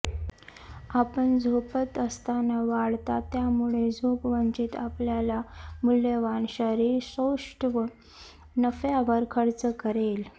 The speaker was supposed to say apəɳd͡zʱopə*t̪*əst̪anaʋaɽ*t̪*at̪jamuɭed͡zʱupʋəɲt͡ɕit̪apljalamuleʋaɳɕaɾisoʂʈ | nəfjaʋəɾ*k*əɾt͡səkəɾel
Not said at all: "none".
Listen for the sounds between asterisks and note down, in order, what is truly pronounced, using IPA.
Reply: t̪, t̪, kʰ

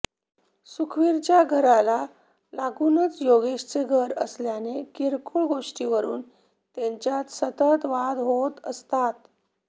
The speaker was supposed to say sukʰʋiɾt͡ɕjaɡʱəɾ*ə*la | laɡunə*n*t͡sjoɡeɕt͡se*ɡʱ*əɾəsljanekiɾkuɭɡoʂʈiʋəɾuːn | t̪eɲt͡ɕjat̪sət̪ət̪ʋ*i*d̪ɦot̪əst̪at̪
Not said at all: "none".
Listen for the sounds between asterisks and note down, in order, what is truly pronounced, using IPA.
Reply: a, none, ɡʱ, a

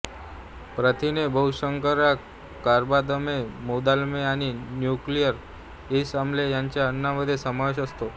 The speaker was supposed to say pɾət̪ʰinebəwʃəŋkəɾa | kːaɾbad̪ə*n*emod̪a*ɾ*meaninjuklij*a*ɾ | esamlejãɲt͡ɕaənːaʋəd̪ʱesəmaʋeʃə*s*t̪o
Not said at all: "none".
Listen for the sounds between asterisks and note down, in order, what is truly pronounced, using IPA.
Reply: m, l, ə, s

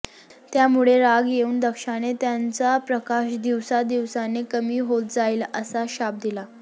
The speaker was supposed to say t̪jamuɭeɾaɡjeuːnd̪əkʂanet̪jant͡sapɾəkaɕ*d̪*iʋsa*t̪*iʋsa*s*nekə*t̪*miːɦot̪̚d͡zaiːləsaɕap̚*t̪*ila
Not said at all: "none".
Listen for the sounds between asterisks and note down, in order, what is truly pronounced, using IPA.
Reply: d̪, d̪, none, none, d̪

